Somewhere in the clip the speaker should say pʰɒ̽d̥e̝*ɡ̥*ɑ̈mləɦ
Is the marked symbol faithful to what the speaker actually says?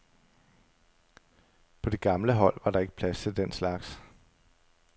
yes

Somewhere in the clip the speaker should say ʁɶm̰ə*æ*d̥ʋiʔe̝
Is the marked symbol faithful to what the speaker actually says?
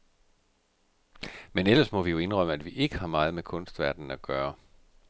yes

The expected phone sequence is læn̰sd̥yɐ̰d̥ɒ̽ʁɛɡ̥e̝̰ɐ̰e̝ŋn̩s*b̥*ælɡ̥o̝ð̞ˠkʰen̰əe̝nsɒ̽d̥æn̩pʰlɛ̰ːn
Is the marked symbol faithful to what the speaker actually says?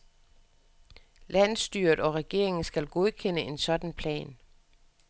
no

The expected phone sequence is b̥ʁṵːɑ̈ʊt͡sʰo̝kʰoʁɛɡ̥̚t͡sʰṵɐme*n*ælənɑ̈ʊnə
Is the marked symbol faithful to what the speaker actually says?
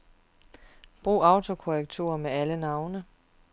no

